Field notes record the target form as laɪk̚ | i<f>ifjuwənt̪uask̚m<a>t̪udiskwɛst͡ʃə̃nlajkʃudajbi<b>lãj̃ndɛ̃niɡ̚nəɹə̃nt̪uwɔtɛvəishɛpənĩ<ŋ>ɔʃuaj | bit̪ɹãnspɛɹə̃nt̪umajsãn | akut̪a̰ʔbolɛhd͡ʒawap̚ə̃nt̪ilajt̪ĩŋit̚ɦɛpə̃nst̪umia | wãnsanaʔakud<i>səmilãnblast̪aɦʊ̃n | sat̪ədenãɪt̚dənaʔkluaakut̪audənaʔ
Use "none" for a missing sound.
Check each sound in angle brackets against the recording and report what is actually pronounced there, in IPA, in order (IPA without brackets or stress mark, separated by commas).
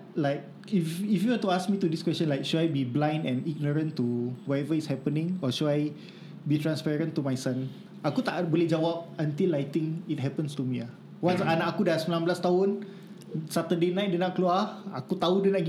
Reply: f, i, b, ŋ, a